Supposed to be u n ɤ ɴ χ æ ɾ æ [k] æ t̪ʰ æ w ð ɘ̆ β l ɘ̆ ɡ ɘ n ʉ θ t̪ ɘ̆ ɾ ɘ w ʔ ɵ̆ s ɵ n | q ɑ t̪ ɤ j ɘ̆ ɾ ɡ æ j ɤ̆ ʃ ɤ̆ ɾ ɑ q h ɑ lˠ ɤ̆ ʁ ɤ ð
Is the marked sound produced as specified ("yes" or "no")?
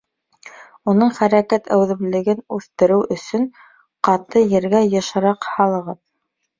yes